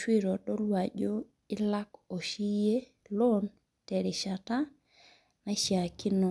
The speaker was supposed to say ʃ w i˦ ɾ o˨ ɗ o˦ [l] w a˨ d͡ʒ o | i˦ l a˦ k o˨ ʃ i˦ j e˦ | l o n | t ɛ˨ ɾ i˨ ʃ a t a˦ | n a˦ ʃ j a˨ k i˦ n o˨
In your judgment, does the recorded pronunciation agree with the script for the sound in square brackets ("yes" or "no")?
yes